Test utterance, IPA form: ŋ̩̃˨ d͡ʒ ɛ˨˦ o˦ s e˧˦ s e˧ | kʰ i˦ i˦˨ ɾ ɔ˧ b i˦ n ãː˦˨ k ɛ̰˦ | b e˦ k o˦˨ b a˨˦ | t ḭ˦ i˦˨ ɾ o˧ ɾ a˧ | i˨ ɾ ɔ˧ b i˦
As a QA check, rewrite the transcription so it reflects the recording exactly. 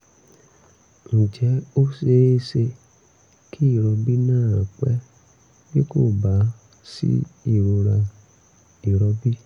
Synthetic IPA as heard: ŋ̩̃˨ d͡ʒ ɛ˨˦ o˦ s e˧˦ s e˧ | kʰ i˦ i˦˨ ɾ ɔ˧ b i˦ n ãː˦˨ k͡p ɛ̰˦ | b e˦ k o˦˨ b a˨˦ | s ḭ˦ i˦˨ ɾ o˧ ɾ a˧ | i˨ ɾ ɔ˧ b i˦